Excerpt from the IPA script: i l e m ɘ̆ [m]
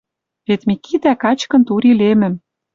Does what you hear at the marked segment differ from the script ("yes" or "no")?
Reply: no